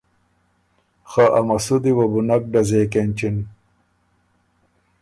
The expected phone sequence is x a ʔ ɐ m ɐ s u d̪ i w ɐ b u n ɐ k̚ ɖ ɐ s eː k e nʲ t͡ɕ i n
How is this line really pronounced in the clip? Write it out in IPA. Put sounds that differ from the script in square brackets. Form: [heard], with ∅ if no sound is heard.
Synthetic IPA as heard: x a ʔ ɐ m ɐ s u d̪ i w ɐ b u n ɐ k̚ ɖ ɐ [z] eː k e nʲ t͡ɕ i n